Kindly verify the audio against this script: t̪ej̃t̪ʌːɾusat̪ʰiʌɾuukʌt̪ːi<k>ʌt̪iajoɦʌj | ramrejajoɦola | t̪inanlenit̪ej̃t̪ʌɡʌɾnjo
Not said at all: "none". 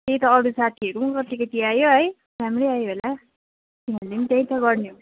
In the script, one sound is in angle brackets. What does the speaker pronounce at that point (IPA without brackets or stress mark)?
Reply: k